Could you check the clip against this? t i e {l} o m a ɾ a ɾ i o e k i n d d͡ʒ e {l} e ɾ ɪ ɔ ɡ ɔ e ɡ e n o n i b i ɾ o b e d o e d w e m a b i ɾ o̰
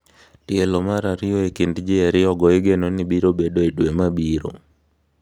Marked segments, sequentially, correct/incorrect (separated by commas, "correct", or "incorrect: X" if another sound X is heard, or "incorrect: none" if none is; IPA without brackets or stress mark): correct, incorrect: none